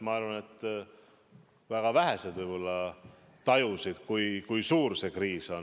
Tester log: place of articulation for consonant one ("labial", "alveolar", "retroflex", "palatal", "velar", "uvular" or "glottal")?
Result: labial